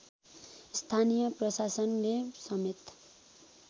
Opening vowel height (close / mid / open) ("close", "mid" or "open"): open